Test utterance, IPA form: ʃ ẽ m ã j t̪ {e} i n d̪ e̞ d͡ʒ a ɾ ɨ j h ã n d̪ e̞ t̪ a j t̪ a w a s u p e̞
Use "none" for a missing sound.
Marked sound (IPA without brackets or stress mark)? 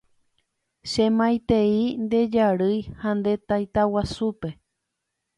e